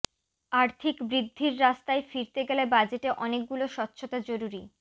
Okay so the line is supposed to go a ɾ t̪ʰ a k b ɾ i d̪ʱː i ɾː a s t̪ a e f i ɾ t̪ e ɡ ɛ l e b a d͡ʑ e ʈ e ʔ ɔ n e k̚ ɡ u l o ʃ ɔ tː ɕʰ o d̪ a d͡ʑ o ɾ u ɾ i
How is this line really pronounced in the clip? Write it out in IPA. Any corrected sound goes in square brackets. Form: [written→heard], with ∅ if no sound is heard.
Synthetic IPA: a ɾ t̪ʰ [a→i] k b ɾ i d̪ʱː i ɾː a s t̪ a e f i ɾ t̪ e ɡ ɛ l e b a d͡ʑ e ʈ e ʔ ɔ n e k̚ ɡ u l o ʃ ɔ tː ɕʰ o [d̪→t̪] a d͡ʑ o ɾ u ɾ i